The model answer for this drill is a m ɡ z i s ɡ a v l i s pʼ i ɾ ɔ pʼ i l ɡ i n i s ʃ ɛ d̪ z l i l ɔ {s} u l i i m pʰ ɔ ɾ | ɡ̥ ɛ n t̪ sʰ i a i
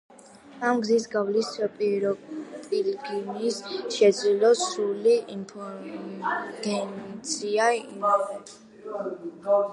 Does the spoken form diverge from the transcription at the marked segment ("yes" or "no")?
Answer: no